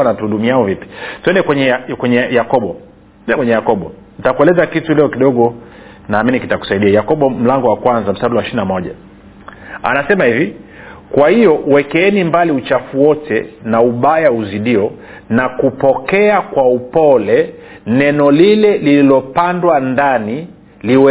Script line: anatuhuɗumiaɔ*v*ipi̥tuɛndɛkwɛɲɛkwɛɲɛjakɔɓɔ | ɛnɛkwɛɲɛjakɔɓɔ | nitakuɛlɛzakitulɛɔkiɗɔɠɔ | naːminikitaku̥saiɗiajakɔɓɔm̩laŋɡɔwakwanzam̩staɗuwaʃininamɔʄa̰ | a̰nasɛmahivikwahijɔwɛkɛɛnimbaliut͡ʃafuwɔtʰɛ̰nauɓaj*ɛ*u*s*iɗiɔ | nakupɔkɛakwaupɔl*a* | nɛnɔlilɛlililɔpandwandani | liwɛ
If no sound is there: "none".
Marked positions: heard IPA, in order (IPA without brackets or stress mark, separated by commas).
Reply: v, a, z, ɛ